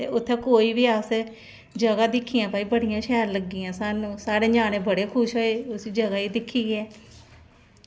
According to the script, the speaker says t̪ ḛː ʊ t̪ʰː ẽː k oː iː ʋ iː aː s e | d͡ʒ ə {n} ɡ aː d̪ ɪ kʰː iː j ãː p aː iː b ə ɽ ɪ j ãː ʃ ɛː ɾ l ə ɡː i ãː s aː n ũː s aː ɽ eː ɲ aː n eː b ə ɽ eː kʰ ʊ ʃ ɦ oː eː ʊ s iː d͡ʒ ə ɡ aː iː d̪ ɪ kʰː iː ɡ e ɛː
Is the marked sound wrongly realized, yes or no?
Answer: yes